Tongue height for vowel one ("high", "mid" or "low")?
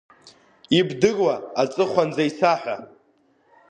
high